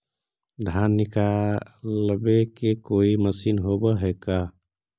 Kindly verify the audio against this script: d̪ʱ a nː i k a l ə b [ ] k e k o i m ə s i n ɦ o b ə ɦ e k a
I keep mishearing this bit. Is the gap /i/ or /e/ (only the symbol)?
e